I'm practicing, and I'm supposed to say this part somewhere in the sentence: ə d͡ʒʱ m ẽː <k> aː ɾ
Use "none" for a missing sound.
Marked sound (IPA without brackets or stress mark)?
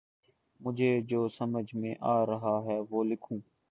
ʔ